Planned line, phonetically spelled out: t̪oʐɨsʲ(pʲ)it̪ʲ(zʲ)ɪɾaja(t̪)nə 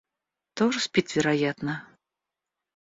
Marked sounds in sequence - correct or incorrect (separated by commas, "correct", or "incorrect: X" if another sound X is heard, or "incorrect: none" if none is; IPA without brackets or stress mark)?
correct, incorrect: vʲ, correct